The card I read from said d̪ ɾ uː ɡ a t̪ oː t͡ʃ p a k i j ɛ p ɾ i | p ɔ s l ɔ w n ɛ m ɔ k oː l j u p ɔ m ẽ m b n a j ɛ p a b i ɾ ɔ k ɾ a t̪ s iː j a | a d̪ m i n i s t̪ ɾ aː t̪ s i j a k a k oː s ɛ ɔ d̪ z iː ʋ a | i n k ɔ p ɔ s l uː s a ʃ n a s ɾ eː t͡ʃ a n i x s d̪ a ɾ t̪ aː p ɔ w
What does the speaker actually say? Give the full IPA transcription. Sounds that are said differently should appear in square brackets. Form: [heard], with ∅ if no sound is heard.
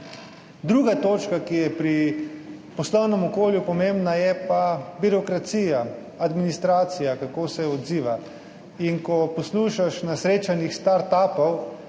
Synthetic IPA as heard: d̪ ɾ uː ɡ a t̪ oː t͡ʃ [k] a k i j ɛ p ɾ i | p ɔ s l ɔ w n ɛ m ɔ k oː l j u p ɔ m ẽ m b n a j ɛ p a b i ɾ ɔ k ɾ a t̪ s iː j a | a d̪ m i n i s t̪ ɾ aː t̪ s i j a k a k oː s ɛ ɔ d̪ z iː ʋ a | i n k ɔ p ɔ s l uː [ʃ] a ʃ n a s ɾ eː t͡ʃ a n i x s [t̪] a ɾ t̪ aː p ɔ w

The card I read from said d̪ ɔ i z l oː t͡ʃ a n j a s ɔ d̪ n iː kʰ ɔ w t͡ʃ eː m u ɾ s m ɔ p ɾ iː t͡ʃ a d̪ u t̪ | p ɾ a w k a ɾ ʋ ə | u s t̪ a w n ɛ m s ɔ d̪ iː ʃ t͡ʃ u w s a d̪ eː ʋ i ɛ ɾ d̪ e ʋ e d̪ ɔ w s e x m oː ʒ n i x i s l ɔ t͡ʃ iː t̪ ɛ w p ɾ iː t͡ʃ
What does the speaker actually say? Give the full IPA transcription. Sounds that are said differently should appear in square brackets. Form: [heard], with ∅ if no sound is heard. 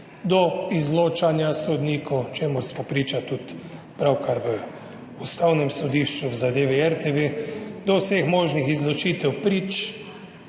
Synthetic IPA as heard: d̪ ɔ i z l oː t͡ʃ a n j a s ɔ d̪ n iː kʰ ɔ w t͡ʃ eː m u ɾ s m ɔ p ɾ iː t͡ʃ a [t̪] u t̪ | p ɾ a w k a ɾ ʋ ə | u s t̪ a w n ɛ m s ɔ d̪ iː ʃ t͡ʃ u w [z] a d̪ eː ʋ i ɛ ɾ [t̪] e ʋ e d̪ ɔ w s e x m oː ʒ n i x i [z] l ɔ t͡ʃ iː t̪ ɛ w p ɾ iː t͡ʃ

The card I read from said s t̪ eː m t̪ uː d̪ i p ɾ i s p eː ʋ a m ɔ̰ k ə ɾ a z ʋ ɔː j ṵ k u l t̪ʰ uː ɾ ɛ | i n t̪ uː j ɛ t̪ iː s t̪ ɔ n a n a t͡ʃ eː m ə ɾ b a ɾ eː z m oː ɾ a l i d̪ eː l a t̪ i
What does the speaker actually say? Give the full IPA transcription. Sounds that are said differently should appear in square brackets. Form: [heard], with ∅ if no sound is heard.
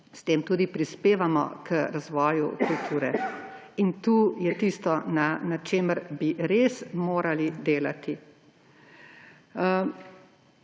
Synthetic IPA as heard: s t̪ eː m t̪ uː d̪ i p ɾ i s p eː ʋ a m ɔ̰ k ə ɾ a z ʋ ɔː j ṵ k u l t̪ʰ uː ɾ ɛ | i n t̪ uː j ɛ t̪ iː s t̪ ɔ n a n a t͡ʃ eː m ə ɾ b [i] ɾ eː [s] m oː ɾ a l i d̪ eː l a t̪ i

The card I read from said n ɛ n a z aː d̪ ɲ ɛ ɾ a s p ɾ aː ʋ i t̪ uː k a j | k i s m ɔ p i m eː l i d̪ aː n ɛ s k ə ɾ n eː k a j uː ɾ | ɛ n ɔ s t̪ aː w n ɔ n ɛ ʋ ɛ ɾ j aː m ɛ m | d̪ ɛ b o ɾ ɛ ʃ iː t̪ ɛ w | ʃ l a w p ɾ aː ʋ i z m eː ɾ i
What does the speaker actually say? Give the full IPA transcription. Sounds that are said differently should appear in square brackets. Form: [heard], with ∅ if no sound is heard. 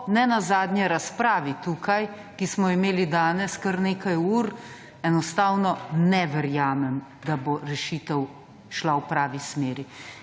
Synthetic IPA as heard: n ɛ n a z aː d̪ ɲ ɛ ɾ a s p ɾ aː ʋ i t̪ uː k a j | k i s m ɔ [∅] i m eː l i d̪ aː n ɛ s k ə ɾ n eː k a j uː ɾ | ɛ n ɔ s t̪ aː w n ɔ n ɛ ʋ ɛ ɾ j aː m ɛ m | d̪ [a] b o ɾ ɛ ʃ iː t̪ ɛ w | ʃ l a w p ɾ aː ʋ i [s] m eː ɾ i

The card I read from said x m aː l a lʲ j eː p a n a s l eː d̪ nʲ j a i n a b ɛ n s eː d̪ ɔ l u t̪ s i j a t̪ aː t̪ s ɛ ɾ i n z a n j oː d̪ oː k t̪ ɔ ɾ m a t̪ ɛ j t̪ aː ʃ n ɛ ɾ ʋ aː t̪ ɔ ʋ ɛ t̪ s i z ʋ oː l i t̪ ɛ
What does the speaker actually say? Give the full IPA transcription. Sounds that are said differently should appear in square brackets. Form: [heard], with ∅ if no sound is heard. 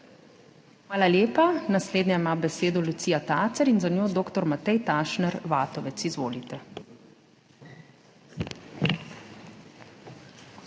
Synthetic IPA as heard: x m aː l a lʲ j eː p a n a s l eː d̪ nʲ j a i [m] a b ɛ [∅] s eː d̪ ɔ l u t̪ s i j a t̪ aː t̪ s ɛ ɾ i n z a n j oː d̪ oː k t̪ ɔ ɾ m a t̪ ɛ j t̪ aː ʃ n ɛ ɾ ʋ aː t̪ ɔ ʋ ɛ t̪ s i z ʋ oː l i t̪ ɛ

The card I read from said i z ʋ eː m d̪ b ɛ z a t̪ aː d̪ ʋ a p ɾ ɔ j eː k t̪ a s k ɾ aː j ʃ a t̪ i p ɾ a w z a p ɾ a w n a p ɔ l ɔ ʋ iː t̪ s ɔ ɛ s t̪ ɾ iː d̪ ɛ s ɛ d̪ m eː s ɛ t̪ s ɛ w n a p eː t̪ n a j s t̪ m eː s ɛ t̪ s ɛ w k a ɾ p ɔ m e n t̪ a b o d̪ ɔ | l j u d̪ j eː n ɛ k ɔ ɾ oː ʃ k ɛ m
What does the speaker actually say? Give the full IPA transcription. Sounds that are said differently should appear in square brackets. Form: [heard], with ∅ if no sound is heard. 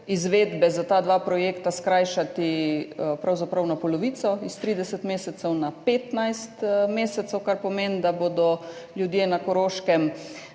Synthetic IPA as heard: i z ʋ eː [∅] d̪ b ɛ z a t̪ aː d̪ ʋ a p ɾ ɔ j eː k t̪ a s k ɾ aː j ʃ a t̪ i p ɾ a w z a p ɾ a w n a p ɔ l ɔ ʋ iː t̪ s ɔ [i] s t̪ ɾ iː d̪ ɛ s ɛ [t̪] m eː s ɛ t̪ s ɛ w n a p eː t̪ n a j s t̪ m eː s ɛ t̪ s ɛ w k a ɾ p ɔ m e n [d̪] a b o d̪ ɔ | l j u d̪ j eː n [a] k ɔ ɾ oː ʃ k ɛ m

